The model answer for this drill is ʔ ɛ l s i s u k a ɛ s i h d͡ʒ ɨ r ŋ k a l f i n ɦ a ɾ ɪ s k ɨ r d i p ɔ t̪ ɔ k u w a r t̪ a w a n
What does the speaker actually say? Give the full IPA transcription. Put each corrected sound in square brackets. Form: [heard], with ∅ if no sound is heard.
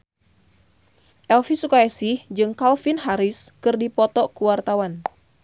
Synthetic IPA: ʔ ɛ l [f] i s u k a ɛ s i h d͡ʒ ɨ [∅] ŋ k a l f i n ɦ a ɾ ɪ s k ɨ r d i p ɔ t̪ ɔ k u w a r t̪ a w a n